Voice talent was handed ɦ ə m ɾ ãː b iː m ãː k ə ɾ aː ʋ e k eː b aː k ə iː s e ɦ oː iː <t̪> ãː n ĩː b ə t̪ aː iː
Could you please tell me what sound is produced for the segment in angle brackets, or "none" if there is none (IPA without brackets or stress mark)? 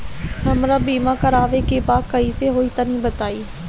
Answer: t̪